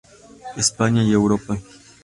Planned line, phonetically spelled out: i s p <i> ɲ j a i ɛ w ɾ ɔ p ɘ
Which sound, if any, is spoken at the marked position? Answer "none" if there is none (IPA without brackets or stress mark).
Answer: a